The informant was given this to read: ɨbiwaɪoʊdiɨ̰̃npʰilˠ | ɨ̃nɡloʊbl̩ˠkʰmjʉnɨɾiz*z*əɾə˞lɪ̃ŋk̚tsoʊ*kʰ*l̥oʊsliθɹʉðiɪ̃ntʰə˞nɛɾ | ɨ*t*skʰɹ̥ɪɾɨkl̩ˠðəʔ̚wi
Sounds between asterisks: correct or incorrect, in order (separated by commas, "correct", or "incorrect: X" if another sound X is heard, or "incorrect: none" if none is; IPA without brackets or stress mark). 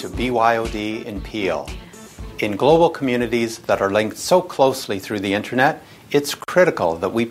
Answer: incorrect: ð, correct, correct